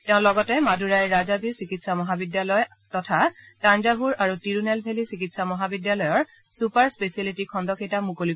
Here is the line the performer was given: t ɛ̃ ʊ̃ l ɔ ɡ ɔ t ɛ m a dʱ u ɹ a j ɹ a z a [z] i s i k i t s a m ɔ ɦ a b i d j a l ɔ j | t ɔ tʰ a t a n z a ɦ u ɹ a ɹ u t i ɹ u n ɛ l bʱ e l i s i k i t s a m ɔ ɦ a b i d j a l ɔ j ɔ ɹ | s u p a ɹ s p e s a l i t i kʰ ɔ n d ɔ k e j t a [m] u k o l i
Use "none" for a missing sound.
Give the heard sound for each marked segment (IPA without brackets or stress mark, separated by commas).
z, m